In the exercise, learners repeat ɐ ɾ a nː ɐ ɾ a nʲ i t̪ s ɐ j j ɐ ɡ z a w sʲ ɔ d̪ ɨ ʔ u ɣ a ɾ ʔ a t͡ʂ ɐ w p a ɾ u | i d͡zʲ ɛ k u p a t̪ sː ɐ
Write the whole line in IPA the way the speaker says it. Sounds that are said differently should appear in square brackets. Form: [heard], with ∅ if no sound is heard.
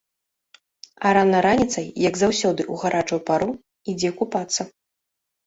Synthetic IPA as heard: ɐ ɾ a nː ɐ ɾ a nʲ i t̪ s ɐ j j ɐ ɡ z a w sʲ ɔ d̪ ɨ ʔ u ɣ a ɾ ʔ a t͡ʂ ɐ w p a ɾ u | i d͡zʲ ɛ k u p a t̪ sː ɐ